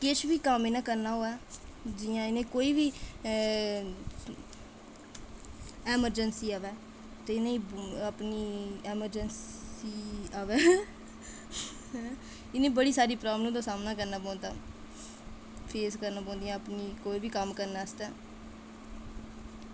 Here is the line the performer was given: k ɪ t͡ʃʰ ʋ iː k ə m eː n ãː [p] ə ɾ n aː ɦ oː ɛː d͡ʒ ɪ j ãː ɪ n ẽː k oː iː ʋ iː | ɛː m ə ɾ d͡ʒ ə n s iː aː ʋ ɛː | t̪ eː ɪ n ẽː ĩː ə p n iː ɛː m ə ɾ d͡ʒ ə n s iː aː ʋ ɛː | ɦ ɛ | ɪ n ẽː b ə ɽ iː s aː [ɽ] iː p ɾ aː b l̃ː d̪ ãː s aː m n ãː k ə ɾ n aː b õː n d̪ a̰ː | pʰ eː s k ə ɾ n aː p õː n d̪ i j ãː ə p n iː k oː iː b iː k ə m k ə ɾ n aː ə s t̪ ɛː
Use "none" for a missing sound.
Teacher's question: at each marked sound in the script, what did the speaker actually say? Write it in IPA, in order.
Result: k, ɾ

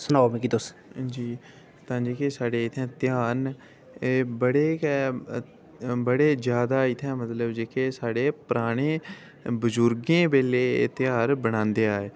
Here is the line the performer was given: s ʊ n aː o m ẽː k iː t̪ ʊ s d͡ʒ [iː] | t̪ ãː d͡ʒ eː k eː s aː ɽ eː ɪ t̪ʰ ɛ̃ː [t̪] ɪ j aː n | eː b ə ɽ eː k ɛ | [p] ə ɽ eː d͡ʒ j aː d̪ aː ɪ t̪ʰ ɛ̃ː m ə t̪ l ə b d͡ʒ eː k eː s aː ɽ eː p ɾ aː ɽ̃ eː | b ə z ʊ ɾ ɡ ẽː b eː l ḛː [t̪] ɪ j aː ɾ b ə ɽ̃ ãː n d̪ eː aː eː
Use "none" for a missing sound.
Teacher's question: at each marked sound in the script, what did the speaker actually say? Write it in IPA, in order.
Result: iː, t̪, b, t̪

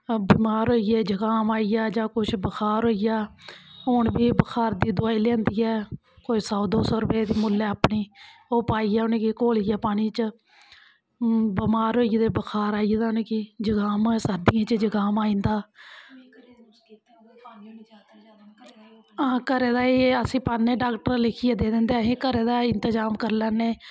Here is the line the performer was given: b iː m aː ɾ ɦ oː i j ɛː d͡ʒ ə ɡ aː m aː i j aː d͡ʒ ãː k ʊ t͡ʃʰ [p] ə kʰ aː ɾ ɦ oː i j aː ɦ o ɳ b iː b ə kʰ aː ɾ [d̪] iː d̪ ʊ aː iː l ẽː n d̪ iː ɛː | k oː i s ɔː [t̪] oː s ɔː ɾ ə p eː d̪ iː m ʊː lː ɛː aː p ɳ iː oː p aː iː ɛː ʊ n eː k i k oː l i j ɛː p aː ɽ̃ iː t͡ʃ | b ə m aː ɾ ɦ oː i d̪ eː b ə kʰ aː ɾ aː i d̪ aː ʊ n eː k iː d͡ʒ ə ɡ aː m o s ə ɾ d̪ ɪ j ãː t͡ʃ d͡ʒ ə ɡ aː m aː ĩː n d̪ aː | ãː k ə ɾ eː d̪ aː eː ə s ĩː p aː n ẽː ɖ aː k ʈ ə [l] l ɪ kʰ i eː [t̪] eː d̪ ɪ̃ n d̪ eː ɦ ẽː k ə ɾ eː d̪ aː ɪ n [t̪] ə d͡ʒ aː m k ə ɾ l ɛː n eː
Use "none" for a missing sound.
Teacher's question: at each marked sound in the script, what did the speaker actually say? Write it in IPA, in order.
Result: b, d̪, d̪, ɾ, d̪, t̪

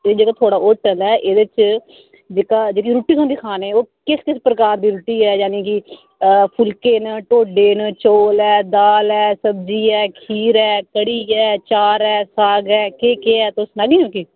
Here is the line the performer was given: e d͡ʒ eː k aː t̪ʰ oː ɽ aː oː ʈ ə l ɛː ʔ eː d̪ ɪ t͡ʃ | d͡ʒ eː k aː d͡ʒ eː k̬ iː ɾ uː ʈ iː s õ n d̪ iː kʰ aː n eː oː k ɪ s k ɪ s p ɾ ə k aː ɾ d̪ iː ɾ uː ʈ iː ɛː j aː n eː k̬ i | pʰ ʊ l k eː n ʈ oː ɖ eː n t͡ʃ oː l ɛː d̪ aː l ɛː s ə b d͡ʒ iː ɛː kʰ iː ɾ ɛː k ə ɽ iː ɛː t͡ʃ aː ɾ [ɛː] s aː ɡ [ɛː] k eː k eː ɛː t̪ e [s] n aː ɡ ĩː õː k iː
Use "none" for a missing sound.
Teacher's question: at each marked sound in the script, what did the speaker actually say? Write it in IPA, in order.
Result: ɛː, ɛː, s

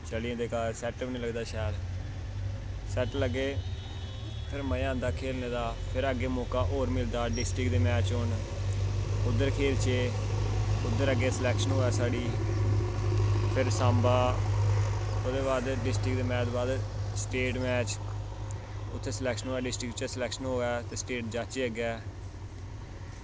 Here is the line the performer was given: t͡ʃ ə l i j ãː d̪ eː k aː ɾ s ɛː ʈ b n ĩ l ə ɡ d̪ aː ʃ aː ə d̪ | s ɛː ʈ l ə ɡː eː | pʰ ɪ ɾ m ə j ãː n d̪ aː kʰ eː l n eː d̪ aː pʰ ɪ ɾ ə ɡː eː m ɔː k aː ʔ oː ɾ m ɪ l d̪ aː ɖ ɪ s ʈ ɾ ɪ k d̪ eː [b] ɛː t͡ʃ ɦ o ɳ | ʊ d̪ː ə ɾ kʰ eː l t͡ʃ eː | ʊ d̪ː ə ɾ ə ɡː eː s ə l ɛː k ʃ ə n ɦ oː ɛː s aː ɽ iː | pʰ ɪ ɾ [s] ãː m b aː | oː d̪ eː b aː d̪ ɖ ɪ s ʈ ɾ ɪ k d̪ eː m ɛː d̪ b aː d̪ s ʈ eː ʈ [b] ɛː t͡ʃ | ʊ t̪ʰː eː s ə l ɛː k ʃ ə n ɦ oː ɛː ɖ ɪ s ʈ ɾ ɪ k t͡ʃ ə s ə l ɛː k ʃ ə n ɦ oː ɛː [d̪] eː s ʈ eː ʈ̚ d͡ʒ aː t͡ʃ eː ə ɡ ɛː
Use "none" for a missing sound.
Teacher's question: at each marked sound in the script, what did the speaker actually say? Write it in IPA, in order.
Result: m, s, m, t̪

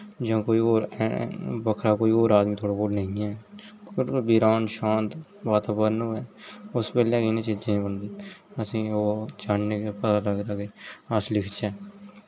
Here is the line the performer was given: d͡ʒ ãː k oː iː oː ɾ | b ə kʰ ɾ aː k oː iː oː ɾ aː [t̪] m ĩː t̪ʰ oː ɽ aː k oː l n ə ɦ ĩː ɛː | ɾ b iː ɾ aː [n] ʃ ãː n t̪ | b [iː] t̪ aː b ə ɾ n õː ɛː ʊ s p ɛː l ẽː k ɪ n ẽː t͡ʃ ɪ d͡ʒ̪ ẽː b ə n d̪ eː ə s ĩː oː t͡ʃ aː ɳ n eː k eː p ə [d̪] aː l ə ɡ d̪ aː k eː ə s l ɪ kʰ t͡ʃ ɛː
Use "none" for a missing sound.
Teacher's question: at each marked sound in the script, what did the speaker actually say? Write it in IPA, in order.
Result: d̪, n, aː, t̪

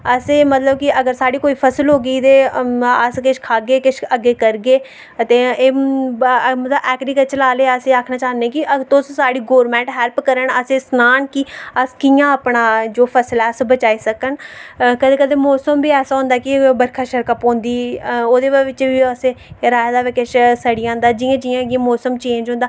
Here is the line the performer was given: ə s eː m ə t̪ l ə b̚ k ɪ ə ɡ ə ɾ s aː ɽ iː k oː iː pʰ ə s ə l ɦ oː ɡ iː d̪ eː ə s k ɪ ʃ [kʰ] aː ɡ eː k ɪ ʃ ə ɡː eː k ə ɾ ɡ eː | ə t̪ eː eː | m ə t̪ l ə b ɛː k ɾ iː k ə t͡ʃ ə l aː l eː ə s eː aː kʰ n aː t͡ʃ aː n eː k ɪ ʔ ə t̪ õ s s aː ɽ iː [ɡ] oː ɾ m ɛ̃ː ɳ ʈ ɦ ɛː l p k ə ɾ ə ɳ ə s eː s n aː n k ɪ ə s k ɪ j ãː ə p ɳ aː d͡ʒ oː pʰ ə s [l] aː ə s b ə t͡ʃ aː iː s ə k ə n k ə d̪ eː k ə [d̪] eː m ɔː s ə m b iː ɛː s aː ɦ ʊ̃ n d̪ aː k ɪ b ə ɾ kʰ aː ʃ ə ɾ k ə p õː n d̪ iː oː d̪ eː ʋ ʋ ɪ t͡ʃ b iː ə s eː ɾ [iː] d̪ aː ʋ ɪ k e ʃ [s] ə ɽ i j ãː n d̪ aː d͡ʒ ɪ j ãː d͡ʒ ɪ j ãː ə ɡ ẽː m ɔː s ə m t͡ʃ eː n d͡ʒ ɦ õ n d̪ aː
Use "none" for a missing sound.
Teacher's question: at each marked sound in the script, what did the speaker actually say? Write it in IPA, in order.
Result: kʰ, ɡ, l, d̪, aː, s

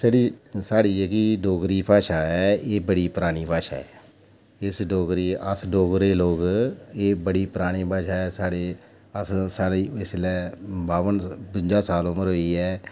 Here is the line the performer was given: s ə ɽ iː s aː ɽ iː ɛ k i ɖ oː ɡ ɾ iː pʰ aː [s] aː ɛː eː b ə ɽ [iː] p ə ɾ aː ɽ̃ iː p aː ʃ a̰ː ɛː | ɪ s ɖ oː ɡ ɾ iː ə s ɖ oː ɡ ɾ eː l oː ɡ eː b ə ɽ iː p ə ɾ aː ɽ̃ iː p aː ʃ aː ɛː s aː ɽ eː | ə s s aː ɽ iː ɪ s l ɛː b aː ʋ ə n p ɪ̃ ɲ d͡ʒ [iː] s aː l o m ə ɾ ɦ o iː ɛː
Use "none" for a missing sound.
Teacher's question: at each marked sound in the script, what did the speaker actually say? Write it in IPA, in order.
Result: ʃ, iː, aː

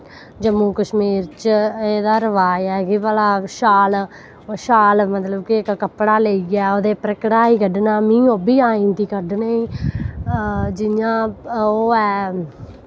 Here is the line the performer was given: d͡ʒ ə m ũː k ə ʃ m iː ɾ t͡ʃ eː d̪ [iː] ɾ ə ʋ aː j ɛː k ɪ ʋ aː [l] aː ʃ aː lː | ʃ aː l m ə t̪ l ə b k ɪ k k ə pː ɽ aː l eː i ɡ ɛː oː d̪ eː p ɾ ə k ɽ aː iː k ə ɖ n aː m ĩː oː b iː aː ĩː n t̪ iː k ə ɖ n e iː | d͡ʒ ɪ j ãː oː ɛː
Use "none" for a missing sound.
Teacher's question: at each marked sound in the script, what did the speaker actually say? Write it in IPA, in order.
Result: aː, l

